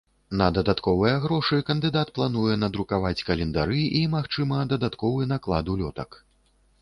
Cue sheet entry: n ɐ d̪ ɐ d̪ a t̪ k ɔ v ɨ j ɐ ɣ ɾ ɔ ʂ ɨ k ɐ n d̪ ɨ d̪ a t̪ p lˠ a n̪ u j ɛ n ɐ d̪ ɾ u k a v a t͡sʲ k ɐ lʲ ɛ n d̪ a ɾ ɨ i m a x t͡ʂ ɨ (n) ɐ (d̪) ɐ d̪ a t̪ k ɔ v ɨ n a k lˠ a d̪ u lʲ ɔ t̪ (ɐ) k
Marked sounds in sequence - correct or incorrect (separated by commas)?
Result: incorrect, correct, correct